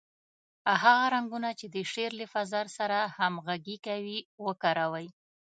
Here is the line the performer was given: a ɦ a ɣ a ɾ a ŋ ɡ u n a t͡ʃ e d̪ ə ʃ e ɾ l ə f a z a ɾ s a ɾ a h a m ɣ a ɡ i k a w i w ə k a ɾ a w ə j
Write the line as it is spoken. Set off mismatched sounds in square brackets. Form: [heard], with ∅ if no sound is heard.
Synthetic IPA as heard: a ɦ a ɣ a ɾ a ŋ ɡ u n a t͡ʃ e d̪ ə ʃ e ɾ l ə f a z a ɾ s a ɾ a h a m ɣ a ɡ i k a w i w ə k a ɾ a w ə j